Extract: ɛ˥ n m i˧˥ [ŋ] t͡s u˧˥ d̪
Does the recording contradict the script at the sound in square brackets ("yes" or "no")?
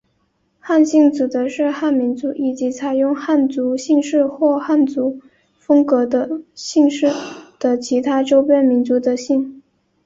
yes